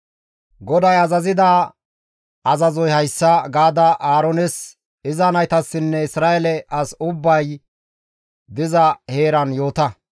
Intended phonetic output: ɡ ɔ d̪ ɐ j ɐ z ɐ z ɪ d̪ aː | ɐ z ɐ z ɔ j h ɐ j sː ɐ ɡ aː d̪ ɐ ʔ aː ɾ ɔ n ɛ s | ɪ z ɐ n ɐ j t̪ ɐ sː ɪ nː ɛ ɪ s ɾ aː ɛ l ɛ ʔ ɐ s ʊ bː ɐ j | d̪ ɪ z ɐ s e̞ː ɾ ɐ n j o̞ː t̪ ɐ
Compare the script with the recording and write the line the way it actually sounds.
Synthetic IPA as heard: ɡ ɔ d̪ ɐ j ɐ z ɐ z ɪ d̪ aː | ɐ z ɐ z ɔ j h ɐ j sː ɐ ɡ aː d̪ ɐ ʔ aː ɾ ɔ n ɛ s | ɪ z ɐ n ɐ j t̪ ɐ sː ɪ nː ɛ ɪ s ɾ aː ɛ l ɛ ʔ ɐ s ʊ bː ɐ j | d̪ ɪ z ɐ h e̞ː ɾ ɐ n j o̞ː t̪ ɐ